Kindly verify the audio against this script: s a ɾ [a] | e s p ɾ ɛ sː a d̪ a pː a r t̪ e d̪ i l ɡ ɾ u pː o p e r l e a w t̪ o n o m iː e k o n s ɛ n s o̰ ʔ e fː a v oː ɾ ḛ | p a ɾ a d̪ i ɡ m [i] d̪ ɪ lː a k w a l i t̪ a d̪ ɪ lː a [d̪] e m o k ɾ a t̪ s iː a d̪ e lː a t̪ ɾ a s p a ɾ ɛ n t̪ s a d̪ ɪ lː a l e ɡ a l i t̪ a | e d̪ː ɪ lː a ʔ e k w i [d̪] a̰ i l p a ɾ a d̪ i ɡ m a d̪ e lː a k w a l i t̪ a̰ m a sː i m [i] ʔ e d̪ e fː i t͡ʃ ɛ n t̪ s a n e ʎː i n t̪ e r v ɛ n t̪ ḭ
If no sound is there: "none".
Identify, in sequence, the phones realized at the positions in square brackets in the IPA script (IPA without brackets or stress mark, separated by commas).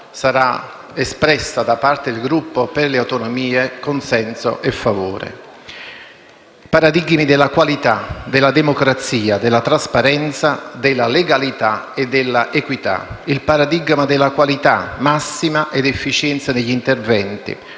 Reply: a, i, d̪, t̪, a